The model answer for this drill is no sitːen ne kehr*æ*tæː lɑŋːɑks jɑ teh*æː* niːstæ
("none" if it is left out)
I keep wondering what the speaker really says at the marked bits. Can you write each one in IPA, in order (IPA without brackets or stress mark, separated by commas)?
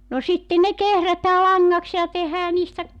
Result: æ, æː